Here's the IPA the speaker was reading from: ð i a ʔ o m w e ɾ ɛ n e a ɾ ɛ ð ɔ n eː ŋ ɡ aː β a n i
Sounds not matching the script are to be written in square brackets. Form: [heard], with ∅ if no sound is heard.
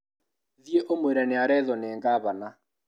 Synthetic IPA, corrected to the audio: ð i [e] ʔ o m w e ɾ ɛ n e a ɾ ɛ ð ɔ n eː ŋ ɡ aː β a n [a]